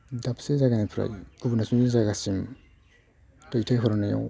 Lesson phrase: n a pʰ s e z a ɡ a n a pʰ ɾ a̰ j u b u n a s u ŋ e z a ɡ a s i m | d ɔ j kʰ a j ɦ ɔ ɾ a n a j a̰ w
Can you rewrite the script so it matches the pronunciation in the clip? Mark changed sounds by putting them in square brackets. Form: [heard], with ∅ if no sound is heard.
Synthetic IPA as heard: [d] a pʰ s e z a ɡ a n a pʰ ɾ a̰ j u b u n a s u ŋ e z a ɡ a s i m | [t] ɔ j [tʰ] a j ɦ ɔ ɾ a n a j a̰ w